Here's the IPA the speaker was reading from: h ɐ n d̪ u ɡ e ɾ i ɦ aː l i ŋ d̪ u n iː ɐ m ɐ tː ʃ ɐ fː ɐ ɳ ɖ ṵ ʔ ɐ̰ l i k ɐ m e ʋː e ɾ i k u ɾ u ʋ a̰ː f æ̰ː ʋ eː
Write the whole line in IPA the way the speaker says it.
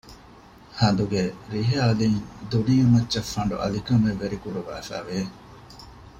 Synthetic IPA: h ɐ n d̪ u ɡ e ɾ i ɦ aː l i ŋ d̪ u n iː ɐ m ɐ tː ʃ ɐ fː ɐ ɳ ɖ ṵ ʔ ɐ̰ l i k ɐ m e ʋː e ɾ i k u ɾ u ʋ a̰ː f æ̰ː ʋ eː